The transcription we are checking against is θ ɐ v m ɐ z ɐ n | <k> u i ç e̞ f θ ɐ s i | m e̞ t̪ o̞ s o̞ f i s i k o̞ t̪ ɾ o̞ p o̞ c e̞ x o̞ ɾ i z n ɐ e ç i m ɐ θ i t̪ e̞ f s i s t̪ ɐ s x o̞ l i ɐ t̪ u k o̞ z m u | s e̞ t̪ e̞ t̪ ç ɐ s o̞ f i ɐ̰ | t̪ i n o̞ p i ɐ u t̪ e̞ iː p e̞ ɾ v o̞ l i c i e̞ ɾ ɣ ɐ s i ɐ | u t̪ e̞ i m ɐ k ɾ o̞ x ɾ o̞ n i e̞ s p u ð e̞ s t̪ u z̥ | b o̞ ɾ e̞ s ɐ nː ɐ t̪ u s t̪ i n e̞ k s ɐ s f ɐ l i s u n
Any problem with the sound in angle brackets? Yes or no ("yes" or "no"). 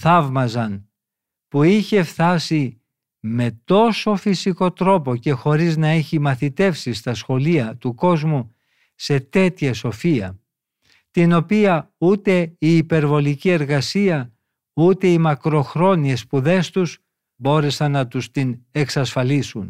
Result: yes